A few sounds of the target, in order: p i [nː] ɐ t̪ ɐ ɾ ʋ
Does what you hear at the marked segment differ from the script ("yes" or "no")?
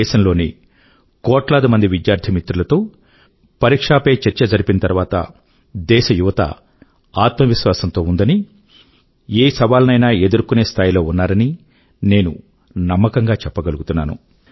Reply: yes